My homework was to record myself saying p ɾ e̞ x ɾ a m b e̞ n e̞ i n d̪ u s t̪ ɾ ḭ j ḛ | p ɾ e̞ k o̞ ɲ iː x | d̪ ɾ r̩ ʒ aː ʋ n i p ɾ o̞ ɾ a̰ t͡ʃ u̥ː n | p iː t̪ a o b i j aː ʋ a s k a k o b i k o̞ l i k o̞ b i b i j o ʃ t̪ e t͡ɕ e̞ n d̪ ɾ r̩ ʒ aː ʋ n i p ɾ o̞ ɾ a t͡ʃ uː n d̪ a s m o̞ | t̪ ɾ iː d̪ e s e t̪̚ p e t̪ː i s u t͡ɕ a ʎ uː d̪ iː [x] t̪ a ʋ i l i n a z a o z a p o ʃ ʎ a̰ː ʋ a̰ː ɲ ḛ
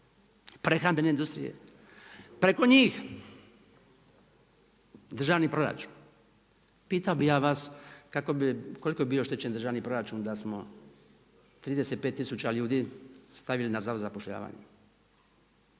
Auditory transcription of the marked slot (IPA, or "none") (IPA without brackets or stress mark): s